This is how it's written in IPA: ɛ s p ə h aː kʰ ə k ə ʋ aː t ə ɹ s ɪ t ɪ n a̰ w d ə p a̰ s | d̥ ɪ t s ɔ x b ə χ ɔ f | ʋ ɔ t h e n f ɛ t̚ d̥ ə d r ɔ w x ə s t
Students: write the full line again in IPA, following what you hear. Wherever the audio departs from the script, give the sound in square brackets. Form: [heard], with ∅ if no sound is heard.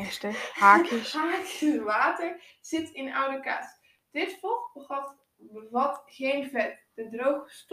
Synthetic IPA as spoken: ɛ s [t] ə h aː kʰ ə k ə ʋ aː t ə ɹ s ɪ t ɪ n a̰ w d ə [k] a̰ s | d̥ ɪ t [f] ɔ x b ə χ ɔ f | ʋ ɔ t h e n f ɛ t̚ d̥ ə d r [o] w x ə s t